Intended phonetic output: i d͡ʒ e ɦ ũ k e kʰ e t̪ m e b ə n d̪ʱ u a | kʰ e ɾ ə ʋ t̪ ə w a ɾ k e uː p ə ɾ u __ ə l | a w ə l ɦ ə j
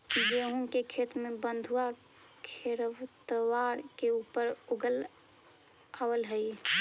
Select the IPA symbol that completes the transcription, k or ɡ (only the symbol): ɡ